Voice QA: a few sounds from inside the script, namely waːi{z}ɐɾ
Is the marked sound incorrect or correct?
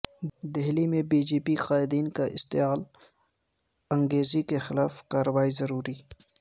correct